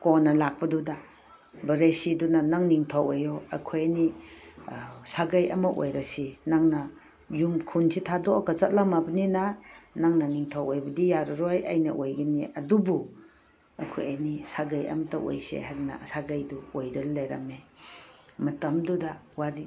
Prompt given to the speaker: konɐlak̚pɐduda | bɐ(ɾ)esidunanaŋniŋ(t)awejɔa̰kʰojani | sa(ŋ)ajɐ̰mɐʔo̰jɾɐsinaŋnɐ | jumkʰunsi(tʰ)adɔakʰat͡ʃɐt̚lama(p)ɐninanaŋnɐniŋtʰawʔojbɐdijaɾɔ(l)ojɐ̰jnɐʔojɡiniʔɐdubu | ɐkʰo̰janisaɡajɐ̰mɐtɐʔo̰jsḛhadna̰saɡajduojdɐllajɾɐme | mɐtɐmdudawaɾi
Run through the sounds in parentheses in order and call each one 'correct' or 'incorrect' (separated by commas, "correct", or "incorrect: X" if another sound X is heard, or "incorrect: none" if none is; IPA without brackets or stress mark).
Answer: correct, incorrect: tʰ, incorrect: ɡ, correct, incorrect: b, incorrect: ɾ